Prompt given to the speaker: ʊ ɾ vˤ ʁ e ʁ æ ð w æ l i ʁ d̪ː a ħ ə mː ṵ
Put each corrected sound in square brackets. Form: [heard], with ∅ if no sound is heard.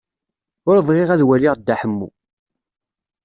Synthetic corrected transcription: ʊ ɾ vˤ ʁ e ʁ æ ð w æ l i ʁ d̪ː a ħ ə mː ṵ